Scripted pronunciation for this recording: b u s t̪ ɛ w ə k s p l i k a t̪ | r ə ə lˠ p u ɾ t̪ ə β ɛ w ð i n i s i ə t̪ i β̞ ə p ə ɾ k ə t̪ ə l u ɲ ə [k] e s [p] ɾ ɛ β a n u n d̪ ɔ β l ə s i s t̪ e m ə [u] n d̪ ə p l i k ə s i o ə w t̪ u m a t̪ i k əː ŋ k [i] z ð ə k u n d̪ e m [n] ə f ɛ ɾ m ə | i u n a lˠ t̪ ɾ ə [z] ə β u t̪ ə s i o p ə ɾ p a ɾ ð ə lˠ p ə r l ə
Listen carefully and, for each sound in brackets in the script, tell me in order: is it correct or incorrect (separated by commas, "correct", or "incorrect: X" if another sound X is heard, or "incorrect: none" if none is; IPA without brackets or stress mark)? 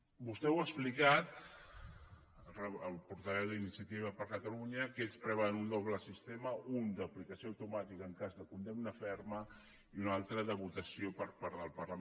correct, correct, correct, incorrect: a, correct, incorrect: ð